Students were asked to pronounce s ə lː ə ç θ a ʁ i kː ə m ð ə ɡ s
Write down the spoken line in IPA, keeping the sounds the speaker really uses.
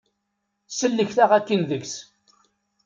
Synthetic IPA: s ə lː ə ç θ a ʁ æ kː ə n ð ə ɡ s